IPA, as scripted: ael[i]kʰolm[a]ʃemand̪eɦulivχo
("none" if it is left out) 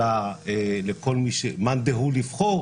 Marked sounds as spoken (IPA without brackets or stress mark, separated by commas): e, i